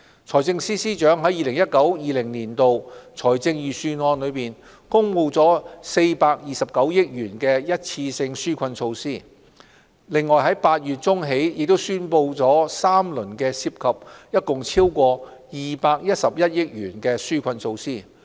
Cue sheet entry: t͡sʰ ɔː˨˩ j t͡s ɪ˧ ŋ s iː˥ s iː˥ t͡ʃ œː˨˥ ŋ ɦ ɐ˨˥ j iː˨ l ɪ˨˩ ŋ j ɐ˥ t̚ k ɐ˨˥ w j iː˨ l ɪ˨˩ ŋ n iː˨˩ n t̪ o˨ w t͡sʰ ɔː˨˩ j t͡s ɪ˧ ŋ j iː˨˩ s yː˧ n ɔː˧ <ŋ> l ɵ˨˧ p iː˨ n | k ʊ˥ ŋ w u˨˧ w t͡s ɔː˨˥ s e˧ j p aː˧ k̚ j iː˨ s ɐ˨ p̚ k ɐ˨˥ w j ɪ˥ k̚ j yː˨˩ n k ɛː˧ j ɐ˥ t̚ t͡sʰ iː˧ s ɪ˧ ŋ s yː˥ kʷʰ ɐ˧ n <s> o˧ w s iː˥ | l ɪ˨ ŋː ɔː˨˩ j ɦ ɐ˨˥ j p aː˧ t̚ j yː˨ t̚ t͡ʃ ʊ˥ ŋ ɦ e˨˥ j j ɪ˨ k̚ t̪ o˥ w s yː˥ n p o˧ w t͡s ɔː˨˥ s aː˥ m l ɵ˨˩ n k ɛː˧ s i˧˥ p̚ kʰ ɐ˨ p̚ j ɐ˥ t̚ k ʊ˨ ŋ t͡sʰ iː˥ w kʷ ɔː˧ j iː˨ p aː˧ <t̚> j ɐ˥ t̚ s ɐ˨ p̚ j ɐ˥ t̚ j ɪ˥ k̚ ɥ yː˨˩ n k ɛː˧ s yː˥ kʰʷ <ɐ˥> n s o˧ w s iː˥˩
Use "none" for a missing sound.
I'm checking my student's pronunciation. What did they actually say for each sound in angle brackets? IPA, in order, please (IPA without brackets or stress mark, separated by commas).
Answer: n, s, k̚, ɐ˧